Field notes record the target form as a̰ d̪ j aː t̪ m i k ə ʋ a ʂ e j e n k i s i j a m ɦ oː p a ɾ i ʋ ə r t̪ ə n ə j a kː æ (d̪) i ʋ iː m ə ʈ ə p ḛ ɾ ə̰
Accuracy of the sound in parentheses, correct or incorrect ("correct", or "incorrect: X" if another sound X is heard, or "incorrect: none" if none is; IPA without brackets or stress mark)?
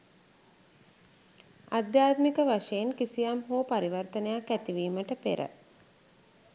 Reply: incorrect: t̪